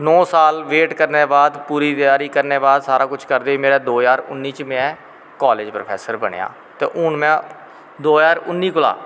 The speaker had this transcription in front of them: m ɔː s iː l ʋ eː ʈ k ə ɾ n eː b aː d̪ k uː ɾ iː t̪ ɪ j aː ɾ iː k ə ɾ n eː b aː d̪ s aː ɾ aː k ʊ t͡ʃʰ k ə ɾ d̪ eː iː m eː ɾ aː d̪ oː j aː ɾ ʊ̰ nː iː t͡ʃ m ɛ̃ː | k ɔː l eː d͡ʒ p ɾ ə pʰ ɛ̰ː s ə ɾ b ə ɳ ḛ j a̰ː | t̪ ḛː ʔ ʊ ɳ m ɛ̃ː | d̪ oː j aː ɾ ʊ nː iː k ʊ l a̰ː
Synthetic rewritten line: n ɔː s aː l ʋ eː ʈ k ə ɾ n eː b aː d̪ p uː ɾ iː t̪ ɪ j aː ɾ iː k ə ɾ n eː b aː d̪ s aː ɾ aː k ʊ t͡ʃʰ k ə ɾ d̪ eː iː m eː ɾ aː d̪ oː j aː ɾ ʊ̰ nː iː t͡ʃ m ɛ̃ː | k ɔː l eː d͡ʒ p ɾ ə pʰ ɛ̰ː s ə ɾ b ə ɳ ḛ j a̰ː | t̪ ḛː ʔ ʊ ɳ m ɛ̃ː | d̪ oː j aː ɾ ʊ nː iː k ʊ l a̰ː